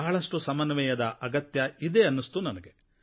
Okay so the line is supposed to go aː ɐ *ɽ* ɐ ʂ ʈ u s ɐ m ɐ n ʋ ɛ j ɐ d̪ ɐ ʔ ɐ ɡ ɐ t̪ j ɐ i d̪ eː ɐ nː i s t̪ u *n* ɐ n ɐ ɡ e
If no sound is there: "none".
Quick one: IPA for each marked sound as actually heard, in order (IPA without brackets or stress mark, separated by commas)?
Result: ɭ, n